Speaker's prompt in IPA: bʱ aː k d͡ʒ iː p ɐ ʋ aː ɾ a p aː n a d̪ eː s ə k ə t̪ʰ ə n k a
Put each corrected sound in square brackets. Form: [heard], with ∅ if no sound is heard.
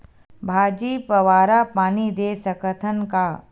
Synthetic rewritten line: bʱ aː [∅] d͡ʒ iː p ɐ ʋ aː ɾ a p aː n [i] d̪ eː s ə k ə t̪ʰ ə n k a